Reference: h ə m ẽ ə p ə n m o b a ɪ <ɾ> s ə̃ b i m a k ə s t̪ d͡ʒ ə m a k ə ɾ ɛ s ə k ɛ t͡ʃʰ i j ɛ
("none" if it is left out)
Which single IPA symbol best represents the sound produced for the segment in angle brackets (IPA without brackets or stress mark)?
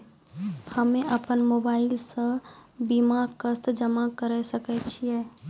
l